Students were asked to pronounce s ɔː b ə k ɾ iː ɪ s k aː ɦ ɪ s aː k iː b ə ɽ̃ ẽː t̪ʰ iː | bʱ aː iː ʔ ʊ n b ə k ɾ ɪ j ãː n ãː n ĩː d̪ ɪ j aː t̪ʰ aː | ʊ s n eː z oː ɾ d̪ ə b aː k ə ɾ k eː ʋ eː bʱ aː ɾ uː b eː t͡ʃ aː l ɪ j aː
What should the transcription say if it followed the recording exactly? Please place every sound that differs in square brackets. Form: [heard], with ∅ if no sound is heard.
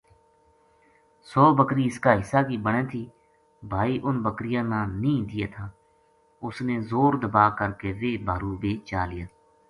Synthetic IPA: s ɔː b ə k ɾ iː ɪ s k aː ɦ ɪ s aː k iː b ə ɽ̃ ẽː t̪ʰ iː | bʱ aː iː ʔ ʊ n b ə k ɾ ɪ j ãː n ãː n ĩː d̪ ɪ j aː t̪ʰ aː | ʊ s n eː z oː ɾ d̪ ə b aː k ə ɾ k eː ʋ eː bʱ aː ɾ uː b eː t͡ʃ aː l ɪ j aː